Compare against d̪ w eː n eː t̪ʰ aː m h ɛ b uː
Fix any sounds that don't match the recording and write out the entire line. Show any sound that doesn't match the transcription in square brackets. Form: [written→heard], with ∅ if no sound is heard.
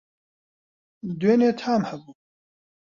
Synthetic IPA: d̪ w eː n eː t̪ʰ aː m h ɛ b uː